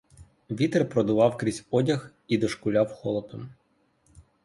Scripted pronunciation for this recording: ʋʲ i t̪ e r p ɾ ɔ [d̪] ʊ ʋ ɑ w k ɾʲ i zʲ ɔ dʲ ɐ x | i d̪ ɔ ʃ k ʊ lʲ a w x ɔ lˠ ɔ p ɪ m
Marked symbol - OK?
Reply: yes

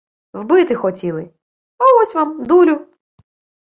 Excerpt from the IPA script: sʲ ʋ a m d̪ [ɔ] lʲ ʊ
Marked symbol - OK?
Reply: no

